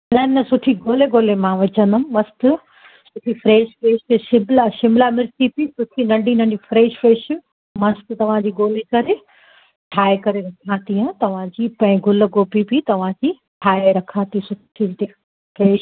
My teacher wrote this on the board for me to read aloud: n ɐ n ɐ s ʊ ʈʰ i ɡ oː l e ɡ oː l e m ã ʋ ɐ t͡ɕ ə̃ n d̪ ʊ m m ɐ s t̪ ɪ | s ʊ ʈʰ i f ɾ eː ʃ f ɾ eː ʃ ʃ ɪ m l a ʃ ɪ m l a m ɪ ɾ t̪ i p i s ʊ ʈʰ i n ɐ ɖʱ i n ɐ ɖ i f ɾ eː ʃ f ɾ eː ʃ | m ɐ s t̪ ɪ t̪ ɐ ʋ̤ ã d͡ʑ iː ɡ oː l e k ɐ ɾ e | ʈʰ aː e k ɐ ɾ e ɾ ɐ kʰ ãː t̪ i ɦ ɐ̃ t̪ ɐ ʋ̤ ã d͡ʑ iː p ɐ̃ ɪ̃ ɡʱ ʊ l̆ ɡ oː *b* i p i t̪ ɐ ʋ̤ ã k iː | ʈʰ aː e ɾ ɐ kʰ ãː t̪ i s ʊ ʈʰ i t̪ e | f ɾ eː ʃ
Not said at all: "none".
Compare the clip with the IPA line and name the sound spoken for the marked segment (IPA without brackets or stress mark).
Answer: p